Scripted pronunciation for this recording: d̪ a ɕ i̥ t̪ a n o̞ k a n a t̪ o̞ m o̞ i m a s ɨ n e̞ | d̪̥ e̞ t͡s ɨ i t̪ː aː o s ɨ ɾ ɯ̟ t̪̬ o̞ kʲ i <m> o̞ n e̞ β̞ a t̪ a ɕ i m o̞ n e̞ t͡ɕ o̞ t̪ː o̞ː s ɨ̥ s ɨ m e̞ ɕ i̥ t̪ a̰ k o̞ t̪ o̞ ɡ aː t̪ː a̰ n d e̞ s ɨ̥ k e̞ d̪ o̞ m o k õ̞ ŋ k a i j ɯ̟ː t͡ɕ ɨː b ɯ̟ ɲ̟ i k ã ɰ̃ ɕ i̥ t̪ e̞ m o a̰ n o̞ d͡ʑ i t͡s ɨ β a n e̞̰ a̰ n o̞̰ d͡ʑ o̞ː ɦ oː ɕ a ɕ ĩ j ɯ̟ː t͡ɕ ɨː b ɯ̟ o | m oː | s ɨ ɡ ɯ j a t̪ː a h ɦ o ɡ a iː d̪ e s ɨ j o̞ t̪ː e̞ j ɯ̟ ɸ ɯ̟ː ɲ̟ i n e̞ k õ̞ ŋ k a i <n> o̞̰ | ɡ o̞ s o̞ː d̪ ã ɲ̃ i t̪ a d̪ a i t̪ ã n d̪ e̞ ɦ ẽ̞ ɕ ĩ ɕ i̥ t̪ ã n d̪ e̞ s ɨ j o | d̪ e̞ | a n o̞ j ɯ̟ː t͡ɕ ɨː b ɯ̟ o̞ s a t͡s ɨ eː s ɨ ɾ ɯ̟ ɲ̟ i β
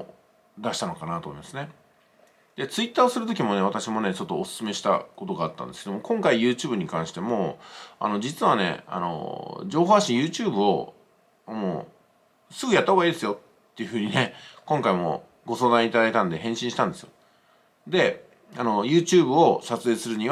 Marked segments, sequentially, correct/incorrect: correct, incorrect: m

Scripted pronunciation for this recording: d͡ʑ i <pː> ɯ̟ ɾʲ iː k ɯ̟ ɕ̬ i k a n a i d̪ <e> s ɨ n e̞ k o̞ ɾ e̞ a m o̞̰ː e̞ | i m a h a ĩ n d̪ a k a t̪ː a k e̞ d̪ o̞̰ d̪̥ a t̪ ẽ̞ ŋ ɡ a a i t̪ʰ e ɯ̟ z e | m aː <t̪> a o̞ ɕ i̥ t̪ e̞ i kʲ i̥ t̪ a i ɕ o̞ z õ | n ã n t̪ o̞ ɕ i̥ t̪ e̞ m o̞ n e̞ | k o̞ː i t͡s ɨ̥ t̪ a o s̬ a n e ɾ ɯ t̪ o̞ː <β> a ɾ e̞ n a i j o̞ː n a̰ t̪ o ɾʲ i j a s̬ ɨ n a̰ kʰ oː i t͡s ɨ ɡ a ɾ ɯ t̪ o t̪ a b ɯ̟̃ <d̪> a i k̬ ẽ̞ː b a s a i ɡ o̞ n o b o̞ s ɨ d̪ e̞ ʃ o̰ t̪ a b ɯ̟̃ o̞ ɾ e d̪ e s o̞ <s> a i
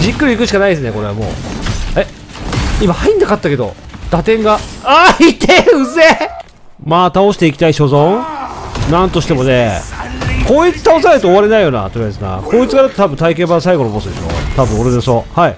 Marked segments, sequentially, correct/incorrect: incorrect: kː, correct, correct, correct, incorrect: t̪, incorrect: h

